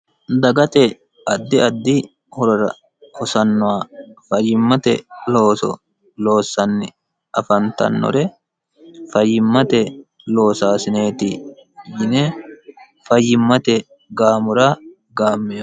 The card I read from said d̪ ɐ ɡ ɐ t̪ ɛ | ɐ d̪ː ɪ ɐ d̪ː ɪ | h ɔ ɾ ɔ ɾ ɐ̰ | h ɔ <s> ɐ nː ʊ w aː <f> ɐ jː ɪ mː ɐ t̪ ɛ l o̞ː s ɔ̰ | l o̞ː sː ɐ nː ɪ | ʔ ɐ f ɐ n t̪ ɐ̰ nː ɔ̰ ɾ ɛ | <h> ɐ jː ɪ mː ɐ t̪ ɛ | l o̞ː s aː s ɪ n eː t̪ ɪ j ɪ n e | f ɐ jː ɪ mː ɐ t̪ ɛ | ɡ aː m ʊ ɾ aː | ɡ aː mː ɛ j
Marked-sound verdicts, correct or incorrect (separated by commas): correct, correct, incorrect